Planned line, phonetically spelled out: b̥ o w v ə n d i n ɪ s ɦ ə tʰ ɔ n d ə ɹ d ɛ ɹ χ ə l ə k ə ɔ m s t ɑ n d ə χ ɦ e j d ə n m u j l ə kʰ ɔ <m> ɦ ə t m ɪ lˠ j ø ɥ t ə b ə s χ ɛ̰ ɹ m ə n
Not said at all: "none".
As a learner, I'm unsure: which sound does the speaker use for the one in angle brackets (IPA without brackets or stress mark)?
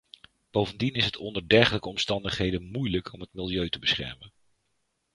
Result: m